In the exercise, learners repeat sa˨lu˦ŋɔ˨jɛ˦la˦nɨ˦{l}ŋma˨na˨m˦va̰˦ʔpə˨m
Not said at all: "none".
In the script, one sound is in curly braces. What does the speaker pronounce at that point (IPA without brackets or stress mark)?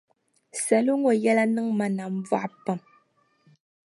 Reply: none